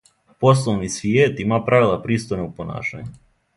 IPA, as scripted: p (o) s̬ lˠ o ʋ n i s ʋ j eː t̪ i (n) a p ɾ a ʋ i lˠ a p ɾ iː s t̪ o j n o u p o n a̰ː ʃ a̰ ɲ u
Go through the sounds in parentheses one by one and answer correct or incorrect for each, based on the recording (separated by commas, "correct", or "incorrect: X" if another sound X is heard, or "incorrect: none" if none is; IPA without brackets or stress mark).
correct, incorrect: m